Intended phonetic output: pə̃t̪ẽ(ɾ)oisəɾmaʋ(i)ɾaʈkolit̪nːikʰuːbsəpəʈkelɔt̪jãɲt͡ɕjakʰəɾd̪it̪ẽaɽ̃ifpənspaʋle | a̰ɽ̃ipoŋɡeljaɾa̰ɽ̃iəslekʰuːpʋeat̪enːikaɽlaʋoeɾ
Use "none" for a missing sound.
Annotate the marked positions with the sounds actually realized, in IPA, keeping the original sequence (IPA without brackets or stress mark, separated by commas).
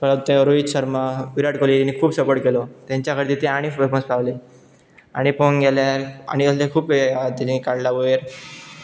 ɾ, i